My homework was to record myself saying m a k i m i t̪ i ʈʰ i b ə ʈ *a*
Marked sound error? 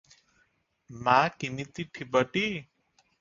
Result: yes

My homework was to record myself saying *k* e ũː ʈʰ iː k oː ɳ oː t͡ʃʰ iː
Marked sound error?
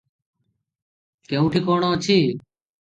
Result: no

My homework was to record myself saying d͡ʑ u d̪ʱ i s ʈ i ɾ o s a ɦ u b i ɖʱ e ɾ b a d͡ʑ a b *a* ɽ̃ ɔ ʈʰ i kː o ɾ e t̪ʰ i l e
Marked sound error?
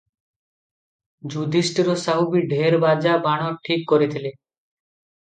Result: no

